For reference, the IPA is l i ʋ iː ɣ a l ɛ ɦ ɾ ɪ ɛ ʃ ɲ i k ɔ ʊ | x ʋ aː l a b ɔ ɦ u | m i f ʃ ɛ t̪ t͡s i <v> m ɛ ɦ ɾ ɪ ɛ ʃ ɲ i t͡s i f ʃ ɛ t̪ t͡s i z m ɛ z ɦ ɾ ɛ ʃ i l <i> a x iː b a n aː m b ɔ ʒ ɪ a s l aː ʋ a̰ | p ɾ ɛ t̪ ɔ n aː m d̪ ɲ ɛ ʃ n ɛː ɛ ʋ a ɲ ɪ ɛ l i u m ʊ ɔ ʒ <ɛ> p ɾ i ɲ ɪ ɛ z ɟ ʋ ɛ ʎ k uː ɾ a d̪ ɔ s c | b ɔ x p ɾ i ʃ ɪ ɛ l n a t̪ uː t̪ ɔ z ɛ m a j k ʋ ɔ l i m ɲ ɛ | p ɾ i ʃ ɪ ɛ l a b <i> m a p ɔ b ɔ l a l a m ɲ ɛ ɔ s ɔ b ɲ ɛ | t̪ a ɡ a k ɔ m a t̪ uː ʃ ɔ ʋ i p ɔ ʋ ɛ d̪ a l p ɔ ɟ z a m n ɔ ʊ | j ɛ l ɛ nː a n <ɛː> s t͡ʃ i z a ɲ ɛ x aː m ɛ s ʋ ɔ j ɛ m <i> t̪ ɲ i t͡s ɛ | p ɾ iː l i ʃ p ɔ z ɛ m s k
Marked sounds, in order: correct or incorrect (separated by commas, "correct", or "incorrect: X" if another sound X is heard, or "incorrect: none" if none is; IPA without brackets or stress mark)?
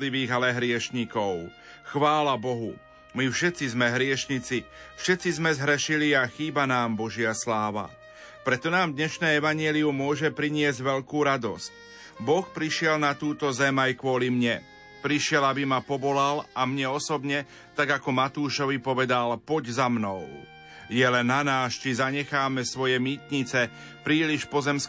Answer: incorrect: z, correct, correct, correct, incorrect: aː, incorrect: iː